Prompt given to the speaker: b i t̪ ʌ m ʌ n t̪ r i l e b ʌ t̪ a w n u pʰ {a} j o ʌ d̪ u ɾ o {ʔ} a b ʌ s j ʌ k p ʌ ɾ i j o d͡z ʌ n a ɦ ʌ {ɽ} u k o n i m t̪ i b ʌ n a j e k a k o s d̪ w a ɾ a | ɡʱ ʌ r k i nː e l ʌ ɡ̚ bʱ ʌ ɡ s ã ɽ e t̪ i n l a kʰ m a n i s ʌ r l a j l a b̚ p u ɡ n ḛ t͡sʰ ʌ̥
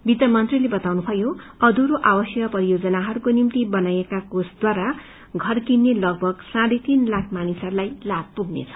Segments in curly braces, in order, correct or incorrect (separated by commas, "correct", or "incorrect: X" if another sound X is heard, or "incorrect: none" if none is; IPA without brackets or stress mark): incorrect: ʌ, correct, incorrect: ɾ